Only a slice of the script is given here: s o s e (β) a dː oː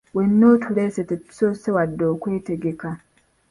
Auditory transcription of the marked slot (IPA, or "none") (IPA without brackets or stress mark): w